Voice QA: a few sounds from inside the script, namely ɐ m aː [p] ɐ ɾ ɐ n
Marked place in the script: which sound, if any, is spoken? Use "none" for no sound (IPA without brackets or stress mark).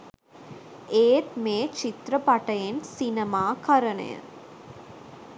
k